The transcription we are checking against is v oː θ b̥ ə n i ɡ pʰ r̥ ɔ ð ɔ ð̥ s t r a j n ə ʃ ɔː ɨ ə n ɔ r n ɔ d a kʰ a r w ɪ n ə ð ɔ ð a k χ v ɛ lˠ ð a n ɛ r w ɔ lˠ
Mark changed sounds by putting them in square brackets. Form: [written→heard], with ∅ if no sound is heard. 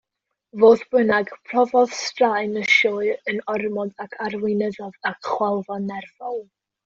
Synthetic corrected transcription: v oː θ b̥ ə n [i→a] ɡ pʰ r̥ ɔ [ð→v] ɔ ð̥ s t r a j n ə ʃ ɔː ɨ ə n ɔ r [n→m] ɔ d a kʰ a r w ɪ n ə ð ɔ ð a k χ [v→w] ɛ lˠ [ð→v] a n ɛ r [w→v] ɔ lˠ